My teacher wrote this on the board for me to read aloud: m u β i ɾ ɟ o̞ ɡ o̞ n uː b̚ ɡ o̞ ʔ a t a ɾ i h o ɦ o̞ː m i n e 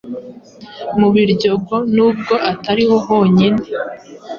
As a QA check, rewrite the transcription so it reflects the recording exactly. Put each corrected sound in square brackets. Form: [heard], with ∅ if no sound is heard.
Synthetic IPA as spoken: m u β i ɾ ɟ o̞ ɡ o̞ n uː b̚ ɡ o̞ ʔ a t a ɾ i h o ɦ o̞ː [ɲ] i n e